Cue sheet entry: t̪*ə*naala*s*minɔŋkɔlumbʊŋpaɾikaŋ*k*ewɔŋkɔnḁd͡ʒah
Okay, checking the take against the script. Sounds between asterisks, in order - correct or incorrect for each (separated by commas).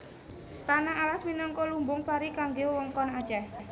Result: incorrect, correct, incorrect